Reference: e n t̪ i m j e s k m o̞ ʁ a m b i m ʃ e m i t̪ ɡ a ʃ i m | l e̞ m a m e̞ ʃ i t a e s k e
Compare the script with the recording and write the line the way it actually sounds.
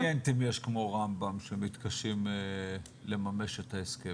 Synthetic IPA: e n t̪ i m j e ʃ k m o̞ ʁ a m b a m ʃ e m i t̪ k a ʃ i m | l e̞ m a m e̞ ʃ e t a e s k e